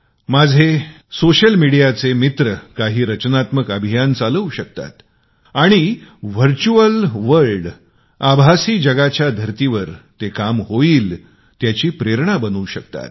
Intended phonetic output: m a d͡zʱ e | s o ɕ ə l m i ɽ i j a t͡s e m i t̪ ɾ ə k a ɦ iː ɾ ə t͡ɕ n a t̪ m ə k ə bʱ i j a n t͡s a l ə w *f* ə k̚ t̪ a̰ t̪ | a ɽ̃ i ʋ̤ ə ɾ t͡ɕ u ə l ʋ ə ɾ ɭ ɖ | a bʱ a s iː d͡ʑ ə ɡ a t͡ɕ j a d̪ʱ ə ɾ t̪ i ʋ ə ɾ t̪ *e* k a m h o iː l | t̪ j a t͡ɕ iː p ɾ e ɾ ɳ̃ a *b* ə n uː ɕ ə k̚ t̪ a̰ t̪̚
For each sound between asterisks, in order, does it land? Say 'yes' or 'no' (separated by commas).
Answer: no, yes, yes